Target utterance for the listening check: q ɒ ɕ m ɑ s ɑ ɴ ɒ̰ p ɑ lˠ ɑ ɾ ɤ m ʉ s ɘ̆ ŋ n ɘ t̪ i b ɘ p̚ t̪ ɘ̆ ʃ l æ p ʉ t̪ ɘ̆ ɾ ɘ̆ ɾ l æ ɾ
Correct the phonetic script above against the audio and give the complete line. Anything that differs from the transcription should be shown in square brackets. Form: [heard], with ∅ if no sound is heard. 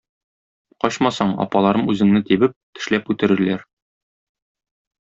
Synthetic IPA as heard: q ɒ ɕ m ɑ s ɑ ɴ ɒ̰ p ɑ lˠ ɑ ɾ ɤ m ʉ [z] ɘ̆ ŋ n ɘ t̪ i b ɘ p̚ t̪ ɘ̆ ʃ l æ p ʉ t̪ ɘ̆ ɾ ɘ̆ ɾ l æ ɾ